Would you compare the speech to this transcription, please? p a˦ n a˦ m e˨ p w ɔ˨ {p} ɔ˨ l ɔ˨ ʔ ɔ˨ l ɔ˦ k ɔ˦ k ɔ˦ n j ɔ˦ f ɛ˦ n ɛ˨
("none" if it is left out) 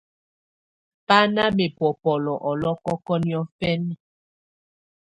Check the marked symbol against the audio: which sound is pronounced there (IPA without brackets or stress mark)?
p